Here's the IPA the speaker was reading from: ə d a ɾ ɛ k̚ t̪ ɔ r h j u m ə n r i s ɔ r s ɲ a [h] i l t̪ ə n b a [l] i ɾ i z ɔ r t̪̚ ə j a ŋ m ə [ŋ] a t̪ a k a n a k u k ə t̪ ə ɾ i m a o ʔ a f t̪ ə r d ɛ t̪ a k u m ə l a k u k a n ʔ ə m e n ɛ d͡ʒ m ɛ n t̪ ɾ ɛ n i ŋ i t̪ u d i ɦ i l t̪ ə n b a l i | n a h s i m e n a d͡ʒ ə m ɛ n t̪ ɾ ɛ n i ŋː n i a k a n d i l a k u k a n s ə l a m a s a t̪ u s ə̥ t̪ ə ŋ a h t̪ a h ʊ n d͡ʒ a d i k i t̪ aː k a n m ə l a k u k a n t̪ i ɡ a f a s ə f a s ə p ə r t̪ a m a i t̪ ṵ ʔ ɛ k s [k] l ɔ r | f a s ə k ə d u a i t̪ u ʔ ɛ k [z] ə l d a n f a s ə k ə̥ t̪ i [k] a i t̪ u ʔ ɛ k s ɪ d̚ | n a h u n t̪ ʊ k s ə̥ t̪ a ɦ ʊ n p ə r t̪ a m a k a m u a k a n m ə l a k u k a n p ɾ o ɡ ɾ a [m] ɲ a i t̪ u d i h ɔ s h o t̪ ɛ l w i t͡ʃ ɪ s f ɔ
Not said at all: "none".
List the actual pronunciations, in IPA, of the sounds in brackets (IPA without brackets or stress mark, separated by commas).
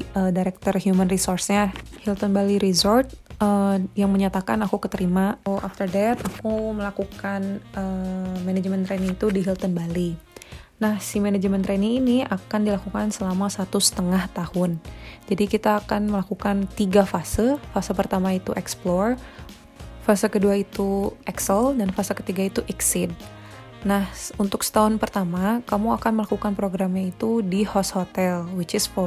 h, l, ɲ, p, s, ɡ, m